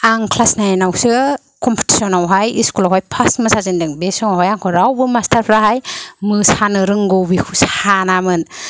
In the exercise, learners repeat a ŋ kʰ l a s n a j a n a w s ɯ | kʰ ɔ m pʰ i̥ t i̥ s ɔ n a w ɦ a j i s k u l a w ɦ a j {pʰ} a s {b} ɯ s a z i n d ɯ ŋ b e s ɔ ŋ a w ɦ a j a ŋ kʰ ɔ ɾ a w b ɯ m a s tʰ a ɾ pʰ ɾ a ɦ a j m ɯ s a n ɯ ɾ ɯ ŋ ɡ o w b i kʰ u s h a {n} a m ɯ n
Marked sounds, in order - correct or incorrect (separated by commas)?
correct, incorrect, correct